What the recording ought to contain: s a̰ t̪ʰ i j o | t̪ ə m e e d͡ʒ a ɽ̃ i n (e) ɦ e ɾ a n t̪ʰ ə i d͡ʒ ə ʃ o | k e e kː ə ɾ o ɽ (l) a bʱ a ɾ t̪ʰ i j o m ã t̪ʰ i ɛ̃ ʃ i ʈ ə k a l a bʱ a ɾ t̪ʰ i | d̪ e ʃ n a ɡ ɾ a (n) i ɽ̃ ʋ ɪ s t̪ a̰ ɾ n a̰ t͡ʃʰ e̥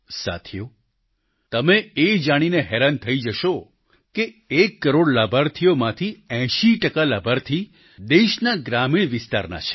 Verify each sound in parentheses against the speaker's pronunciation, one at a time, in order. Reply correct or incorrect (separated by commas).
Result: correct, correct, incorrect